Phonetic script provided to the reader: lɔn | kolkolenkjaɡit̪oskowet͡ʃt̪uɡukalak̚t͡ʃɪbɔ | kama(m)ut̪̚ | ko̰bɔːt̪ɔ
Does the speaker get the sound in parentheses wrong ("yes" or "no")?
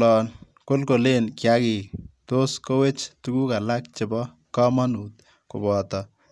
yes